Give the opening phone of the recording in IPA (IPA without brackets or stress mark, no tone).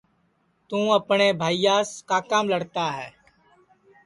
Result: t̪